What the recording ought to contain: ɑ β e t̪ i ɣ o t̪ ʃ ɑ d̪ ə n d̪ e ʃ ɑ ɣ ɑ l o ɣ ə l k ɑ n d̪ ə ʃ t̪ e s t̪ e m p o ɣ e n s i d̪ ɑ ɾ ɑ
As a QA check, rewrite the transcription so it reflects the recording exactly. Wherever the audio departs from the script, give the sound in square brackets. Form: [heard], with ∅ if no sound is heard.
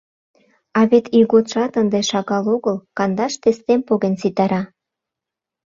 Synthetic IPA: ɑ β e t̪ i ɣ o t̪ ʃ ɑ [t̪] ə n d̪ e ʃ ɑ ɣ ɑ l o ɣ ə l k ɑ n d̪ [ɑ] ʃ t̪ e s t̪ e m p o ɣ e n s i [t̪] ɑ ɾ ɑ